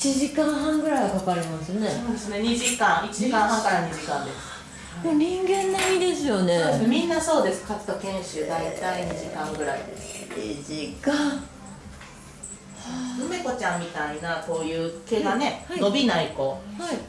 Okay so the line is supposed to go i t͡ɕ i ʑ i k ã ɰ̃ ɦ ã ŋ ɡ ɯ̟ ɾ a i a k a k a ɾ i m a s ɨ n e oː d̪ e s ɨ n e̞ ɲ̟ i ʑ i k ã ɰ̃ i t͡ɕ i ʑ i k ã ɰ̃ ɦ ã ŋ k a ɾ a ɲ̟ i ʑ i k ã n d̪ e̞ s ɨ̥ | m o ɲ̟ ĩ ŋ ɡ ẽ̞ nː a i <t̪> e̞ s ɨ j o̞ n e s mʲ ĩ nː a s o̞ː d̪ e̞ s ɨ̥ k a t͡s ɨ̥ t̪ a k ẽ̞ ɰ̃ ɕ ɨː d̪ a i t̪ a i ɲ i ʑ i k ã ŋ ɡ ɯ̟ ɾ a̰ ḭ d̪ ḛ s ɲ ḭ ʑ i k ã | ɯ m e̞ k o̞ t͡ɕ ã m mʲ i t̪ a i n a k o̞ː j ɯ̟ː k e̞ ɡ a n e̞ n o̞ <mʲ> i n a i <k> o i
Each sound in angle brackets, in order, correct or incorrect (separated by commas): incorrect, incorrect, correct